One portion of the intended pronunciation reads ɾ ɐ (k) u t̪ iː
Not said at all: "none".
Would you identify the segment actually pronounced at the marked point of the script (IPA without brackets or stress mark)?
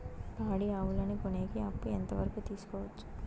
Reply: k